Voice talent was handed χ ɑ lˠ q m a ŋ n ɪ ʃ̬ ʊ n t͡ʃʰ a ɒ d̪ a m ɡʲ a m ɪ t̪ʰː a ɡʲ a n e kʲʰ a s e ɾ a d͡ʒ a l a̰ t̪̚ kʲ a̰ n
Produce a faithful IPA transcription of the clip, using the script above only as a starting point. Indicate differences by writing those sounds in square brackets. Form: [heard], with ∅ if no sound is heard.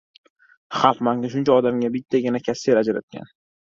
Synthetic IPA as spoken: χ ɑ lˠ q m a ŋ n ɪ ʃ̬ ʊ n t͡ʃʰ a ɒ d̪ a m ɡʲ a [b] ɪ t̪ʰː a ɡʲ a n [a] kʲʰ a s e ɾ a d͡ʒ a [ɾ] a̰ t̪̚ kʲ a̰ n